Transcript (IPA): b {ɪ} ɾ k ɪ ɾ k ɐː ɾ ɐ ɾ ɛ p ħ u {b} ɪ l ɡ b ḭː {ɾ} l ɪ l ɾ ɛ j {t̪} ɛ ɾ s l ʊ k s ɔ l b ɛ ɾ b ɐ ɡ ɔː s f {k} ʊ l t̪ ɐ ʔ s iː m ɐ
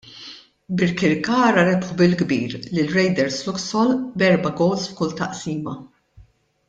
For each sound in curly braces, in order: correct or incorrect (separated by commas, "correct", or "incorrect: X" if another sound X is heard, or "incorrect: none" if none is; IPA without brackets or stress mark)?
correct, correct, correct, incorrect: d̪, correct